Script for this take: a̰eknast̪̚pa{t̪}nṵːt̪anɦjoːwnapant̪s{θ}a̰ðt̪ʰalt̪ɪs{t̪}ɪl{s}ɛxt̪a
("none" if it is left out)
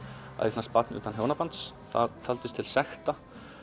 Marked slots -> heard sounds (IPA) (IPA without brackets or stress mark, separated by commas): t̪, θ, t̪ʰ, s